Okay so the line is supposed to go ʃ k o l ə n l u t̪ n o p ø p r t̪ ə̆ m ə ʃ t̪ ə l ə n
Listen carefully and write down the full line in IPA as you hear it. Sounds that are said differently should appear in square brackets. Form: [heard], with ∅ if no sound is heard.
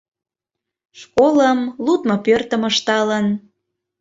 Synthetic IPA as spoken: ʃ k o l ə [m] l u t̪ [m] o p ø [∅] r t̪ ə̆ m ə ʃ t̪ [ɑ] l ə n